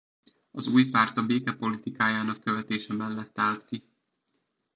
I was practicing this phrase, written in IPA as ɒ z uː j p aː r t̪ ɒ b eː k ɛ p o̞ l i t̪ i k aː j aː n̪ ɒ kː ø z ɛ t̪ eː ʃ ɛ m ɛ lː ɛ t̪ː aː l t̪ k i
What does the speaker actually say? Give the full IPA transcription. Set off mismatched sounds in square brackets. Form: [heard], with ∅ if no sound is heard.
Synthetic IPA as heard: ɒ z uː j p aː r t̪ ɒ b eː k ɛ p o̞ l i t̪ i k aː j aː n̪ ɒ kː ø [v] ɛ t̪ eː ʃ ɛ m ɛ lː ɛ t̪ː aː l t̪ k i